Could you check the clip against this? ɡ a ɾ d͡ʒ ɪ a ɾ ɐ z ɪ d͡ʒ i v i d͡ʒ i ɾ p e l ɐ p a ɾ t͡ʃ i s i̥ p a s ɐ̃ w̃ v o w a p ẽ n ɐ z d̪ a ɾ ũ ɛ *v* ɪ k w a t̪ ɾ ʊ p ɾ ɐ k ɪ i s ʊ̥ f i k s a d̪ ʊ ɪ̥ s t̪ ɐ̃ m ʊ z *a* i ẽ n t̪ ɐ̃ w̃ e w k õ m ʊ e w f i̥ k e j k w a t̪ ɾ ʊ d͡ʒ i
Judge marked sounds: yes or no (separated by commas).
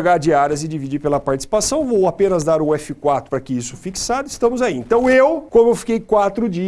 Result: no, yes